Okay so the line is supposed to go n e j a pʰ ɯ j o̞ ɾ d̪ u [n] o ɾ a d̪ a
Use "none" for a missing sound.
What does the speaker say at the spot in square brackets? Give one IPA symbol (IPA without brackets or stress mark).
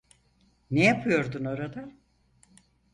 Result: n